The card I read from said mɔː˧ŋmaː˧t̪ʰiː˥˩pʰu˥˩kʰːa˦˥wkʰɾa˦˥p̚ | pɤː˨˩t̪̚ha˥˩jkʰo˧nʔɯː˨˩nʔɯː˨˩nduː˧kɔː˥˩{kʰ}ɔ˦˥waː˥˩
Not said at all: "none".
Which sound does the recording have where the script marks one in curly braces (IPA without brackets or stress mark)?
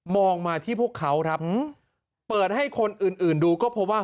pʰ